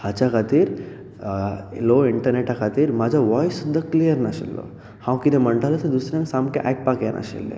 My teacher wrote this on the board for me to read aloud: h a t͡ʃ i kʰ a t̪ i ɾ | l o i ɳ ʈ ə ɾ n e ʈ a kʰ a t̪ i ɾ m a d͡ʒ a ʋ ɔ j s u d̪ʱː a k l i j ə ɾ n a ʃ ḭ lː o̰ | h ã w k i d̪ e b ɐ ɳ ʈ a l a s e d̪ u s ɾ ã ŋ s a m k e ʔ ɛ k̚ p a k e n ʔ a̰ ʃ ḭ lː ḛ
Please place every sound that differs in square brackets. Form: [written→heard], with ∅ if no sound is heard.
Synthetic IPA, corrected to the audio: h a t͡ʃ [i→a] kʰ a t̪ i ɾ | l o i ɳ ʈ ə ɾ n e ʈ a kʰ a t̪ i ɾ m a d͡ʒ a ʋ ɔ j s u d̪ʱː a k l i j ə ɾ n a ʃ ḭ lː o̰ | h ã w k i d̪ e [b→m] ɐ ɳ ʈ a l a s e d̪ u s ɾ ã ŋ s a m k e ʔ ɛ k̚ p a k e n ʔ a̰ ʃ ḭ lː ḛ

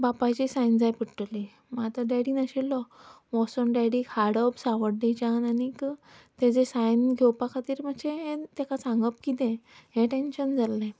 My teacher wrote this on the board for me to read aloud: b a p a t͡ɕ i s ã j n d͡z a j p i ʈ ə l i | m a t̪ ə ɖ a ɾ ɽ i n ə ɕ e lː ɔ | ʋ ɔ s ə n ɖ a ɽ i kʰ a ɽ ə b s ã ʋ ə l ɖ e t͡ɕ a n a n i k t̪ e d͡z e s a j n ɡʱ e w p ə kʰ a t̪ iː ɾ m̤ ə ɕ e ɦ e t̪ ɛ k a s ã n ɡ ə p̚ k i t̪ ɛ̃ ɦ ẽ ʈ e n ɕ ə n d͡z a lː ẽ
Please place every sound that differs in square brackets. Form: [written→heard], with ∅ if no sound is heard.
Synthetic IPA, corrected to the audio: b a p a t͡ɕ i s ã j n d͡z a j p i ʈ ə l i | m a t̪ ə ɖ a [ɾ→∅] ɽ i n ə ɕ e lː ɔ | ʋ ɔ s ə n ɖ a ɽ i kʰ a ɽ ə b s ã ʋ ə [l→ɽ] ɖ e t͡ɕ a n a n i k t̪ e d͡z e s a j n ɡʱ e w p [ə→a] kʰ a t̪ iː ɾ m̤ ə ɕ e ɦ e t̪ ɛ k a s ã [n→ŋ] ɡ ə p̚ k i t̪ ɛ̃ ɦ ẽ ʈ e n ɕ ə n d͡z a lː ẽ

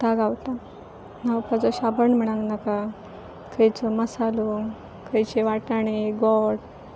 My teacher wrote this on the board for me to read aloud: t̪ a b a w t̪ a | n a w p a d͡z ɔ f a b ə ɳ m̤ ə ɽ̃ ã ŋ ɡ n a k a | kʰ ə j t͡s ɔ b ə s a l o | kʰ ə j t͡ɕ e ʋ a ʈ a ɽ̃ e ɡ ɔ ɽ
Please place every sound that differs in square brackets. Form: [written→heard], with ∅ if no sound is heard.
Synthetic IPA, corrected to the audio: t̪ a [b→ɡ] a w t̪ a | n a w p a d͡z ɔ [f→ɕ] a b ə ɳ m̤ ə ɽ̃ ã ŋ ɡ n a k a | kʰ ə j t͡s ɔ [b→m] ə s a l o | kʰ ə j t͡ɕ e ʋ a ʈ a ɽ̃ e ɡ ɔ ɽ

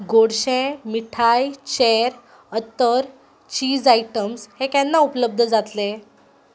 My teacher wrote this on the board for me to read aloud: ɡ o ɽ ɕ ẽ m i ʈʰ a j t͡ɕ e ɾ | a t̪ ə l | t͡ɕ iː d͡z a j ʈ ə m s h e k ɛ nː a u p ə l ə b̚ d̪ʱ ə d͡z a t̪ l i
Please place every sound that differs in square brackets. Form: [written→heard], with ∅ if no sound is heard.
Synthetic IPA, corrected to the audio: ɡ o ɽ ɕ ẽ m i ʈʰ a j t͡ɕ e ɾ | [a→ə] t̪ ə [l→ɾ] | t͡ɕ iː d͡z a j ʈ ə m s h e k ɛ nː a u p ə l ə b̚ d̪ʱ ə d͡z a t̪ l [i→e]

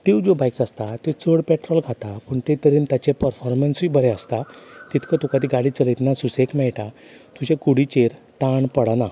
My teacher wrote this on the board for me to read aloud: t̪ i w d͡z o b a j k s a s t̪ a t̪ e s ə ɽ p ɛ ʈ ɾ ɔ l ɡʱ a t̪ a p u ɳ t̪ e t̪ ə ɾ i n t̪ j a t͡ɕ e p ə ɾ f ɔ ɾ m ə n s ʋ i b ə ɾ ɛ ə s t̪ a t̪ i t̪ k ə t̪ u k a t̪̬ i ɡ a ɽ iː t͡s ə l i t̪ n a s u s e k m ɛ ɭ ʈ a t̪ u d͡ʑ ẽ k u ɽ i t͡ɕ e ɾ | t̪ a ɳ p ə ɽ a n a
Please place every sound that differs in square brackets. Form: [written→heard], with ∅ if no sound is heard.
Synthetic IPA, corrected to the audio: t̪ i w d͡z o b a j k s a s t̪ a t̪ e [s→t͡s] ə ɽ p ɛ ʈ ɾ ɔ l ɡʱ a t̪ a p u ɳ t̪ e t̪ ə ɾ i n t̪ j a t͡ɕ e p ə ɾ f ɔ ɾ m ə n s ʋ i b ə ɾ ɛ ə s t̪ a t̪ i t̪ k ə t̪ u k a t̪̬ i ɡ a ɽ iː t͡s ə l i t̪ n a s u s e k m ɛ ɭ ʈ a t̪ u d͡ʑ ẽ k u ɽ i t͡ɕ e ɾ | t̪ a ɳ p ə ɽ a n a

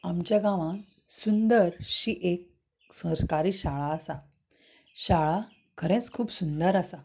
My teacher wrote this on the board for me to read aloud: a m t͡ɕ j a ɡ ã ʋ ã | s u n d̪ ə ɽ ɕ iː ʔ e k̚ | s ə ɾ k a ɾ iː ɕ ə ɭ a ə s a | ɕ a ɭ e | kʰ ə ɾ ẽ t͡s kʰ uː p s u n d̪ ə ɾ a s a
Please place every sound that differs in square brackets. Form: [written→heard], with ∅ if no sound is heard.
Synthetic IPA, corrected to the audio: a m t͡ɕ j a ɡ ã ʋ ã | s u n d̪ ə [ɽ→ɾ] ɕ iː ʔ e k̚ | s ə ɾ k a ɾ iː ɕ [ə→a] ɭ a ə s a | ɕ a ɭ [e→a] | kʰ ə ɾ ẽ t͡s kʰ uː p s u n d̪ ə ɾ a s a

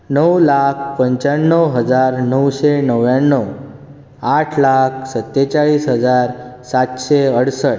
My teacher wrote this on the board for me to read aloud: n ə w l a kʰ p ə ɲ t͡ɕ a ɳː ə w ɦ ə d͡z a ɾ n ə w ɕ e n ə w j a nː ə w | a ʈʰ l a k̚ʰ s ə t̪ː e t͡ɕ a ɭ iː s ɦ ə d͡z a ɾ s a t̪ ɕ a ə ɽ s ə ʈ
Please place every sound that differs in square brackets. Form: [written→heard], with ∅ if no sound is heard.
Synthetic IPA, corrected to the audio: n ə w l a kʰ p ə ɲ t͡ɕ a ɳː ə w ɦ ə d͡z a ɾ n ə w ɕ e n ə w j a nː ə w | a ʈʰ l a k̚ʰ s ə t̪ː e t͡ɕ a ɭ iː s ɦ ə d͡z a ɾ s a t̪ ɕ [a→e] ə ɽ s ə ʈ

